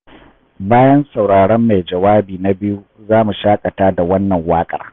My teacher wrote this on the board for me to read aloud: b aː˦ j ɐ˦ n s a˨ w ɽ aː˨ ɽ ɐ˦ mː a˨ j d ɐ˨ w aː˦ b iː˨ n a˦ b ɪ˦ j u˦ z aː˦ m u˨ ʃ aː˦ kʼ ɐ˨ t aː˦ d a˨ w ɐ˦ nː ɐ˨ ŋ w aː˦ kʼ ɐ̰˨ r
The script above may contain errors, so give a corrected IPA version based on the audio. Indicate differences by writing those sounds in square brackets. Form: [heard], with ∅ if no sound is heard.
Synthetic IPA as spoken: b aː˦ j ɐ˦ n s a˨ w ɽ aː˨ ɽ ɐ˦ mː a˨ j [d͡ʒ] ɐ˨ w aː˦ b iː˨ n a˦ b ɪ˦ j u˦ z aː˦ m u˨ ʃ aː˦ kʼ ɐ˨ t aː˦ d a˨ w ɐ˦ nː ɐ˨ ŋ w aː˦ kʼ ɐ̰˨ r